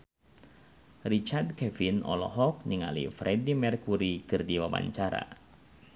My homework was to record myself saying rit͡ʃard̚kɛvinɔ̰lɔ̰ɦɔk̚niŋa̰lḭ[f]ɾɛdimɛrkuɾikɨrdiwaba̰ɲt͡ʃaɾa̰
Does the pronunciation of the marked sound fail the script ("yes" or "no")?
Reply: no